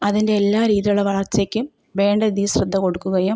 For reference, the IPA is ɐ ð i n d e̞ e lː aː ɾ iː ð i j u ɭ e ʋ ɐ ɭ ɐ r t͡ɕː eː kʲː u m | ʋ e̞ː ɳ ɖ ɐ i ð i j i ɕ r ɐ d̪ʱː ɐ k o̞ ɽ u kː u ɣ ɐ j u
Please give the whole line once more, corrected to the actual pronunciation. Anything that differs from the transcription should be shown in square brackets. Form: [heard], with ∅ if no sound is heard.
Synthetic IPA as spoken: ɐ ð i n d e̞ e lː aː ɾ iː ð i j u ɭ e ʋ ɐ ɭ ɐ r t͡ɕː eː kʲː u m | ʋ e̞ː ɳ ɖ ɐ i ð i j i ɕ r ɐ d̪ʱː ɐ k o̞ ɽ u kː u ɣ ɐ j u